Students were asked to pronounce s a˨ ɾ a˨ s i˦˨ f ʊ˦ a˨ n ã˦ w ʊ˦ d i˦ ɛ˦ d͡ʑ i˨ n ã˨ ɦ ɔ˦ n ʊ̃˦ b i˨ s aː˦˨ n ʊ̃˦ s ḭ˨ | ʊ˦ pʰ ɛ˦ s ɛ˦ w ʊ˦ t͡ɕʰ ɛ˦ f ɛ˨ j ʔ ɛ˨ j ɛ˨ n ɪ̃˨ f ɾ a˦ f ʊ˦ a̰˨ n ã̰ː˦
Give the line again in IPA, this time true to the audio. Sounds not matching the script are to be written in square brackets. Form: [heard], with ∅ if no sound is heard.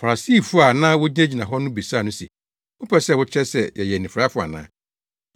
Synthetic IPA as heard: [f] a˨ ɾ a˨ s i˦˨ f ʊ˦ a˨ n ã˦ w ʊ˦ [d͡ʑ] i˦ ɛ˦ d͡ʑ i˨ n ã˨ ɦ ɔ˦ n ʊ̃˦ b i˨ s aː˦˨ n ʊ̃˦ s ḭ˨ | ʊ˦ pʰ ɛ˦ s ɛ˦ w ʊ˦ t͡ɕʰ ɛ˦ [s] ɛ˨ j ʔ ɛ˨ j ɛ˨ n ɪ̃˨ f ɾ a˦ f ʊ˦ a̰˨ n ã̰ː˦